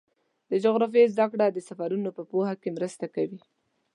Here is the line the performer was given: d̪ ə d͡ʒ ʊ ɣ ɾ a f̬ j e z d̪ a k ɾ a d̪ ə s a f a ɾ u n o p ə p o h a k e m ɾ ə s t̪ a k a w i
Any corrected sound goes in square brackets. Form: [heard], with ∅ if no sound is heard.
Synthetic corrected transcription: d̪ ə d͡ʒ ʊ ɣ ɾ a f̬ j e z d̪ a k [ɽ] a d̪ ə s a f a ɾ u n o p ə p o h a k e m ɾ ə s t̪ a k a w i